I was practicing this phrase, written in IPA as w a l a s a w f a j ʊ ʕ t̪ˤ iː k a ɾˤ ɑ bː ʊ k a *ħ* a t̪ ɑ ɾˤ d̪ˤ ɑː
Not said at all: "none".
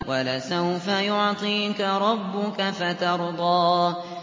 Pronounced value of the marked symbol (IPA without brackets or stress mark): f